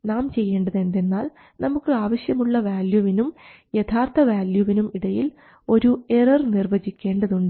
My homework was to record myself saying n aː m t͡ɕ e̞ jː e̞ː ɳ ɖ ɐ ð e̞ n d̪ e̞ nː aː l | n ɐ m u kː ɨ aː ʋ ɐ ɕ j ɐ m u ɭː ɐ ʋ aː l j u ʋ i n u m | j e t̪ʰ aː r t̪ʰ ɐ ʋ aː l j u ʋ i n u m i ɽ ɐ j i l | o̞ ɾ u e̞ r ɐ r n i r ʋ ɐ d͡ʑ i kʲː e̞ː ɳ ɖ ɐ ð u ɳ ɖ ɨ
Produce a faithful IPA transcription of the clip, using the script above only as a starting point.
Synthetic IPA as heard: n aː m t͡ɕ e̞ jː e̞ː ɳ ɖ ɐ ð e̞ n d̪ e̞ nː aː l | n ɐ m u kː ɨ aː ʋ ɐ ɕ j ɐ m u ɭː ɐ ʋ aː l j u ʋ i n u m | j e t̪ʰ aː r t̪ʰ ɐ ʋ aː l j u ʋ i n u m i ɽ ɐ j i l | o̞ ɾ u e̞ r ɐ r n i r ʋ ɐ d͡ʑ i kʲː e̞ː ɳ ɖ ɐ ð u ɳ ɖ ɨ